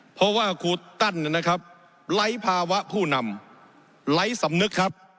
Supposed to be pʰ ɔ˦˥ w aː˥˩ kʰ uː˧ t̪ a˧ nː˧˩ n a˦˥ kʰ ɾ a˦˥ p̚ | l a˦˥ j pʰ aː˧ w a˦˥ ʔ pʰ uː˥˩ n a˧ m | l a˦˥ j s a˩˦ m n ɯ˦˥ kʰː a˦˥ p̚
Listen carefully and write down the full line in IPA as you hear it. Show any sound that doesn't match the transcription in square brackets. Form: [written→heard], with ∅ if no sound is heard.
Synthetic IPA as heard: pʰ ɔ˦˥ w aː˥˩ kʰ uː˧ t̪ [a˧→a˥˩] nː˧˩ n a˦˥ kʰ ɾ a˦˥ p̚ | l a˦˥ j pʰ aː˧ w a˦˥ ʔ pʰ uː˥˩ n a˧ m | l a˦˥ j s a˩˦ m n ɯ˦˥ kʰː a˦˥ p̚